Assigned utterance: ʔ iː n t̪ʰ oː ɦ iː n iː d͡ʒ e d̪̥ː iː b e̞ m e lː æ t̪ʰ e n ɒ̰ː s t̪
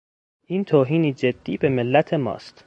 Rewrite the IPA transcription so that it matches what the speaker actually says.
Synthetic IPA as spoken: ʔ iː n t̪ʰ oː ɦ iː n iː d͡ʒ e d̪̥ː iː b e̞ m e lː æ t̪ʰ e m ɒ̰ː s t̪